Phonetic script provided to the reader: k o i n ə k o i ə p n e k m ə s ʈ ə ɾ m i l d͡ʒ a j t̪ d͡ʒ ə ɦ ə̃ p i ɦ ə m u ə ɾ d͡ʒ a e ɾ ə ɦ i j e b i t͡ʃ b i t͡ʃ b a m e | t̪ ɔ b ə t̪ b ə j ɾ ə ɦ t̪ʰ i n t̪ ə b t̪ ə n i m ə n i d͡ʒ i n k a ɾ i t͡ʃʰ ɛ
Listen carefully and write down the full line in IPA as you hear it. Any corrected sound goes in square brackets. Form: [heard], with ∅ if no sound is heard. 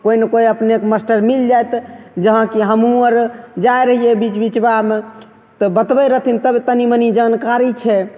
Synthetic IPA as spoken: k o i n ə k o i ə p n e k m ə s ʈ ə ɾ m i l d͡ʒ a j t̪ d͡ʒ ə ɦ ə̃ [k] i ɦ ə m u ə ɾ d͡ʒ a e ɾ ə ɦ i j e b i t͡ʃ b i t͡ʃ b a m e | t̪ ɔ b ə t̪ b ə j ɾ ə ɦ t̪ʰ i n t̪ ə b t̪ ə n i m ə n i d͡ʒ [a] n k a ɾ i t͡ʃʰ ɛ